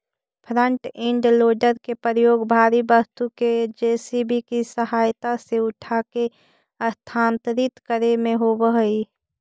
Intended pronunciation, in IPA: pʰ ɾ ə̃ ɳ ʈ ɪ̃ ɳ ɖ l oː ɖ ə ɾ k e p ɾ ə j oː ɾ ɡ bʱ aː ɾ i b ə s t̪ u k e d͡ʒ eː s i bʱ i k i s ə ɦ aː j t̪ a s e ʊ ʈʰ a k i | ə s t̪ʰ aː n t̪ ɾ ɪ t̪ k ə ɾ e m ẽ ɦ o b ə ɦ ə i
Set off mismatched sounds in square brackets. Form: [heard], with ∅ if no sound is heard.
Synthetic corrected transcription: pʰ ɾ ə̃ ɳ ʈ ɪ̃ ɳ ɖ l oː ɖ ə ɾ k e p ɾ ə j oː [∅] ɡ bʱ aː ɾ i b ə s t̪ u k e d͡ʒ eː s i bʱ i k i s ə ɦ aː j t̪ a s e ʊ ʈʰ a k [e] | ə s t̪ʰ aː n t̪ ɾ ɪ t̪ k ə ɾ e m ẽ ɦ o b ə ɦ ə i